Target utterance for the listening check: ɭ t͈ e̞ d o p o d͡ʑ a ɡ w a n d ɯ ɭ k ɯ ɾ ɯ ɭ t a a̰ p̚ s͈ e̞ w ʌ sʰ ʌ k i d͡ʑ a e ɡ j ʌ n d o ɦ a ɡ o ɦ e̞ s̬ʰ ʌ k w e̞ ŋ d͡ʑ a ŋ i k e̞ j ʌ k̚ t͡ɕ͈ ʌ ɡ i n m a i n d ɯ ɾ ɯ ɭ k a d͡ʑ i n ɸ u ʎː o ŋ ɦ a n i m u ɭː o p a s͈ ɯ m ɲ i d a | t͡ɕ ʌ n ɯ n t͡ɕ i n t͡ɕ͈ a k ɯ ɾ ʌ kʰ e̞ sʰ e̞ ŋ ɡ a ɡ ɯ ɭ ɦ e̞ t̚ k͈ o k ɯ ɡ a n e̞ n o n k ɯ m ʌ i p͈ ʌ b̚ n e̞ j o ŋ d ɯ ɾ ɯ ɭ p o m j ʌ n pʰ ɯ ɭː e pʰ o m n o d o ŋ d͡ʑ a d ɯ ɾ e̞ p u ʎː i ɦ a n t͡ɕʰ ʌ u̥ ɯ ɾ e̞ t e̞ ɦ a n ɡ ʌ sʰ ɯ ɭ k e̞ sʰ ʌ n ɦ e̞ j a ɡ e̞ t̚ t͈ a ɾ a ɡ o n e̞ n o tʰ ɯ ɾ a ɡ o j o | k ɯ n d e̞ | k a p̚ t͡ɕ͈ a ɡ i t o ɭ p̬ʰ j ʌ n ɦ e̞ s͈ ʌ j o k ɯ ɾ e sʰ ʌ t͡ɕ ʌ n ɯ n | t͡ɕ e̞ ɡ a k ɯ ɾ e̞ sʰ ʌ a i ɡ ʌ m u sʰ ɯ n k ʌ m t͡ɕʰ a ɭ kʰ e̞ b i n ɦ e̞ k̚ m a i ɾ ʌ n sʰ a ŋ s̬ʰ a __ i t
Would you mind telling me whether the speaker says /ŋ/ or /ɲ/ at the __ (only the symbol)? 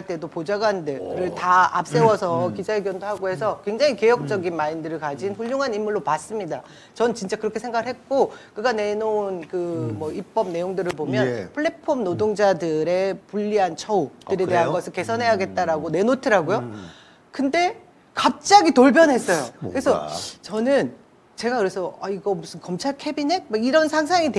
ŋ